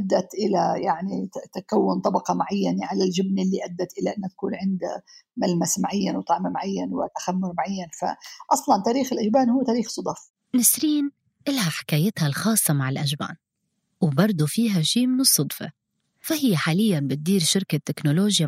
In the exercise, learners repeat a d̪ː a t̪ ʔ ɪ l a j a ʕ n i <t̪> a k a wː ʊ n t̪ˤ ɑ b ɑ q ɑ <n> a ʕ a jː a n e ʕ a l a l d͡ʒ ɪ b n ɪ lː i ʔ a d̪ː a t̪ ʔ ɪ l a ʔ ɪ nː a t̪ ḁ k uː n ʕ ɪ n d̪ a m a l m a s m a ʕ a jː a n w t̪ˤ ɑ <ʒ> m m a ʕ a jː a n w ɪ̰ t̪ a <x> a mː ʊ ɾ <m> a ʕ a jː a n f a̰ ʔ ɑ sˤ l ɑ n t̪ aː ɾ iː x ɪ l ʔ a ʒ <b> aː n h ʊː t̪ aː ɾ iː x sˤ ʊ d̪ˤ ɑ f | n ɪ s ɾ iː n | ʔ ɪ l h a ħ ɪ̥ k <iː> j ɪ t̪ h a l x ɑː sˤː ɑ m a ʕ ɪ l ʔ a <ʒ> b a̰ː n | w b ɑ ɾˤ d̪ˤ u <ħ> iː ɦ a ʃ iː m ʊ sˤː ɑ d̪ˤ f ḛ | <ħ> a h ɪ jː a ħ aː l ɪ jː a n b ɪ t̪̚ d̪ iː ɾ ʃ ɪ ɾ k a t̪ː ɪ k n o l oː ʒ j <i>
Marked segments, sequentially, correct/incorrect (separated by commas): correct, incorrect, incorrect, correct, correct, correct, incorrect, correct, incorrect, incorrect, incorrect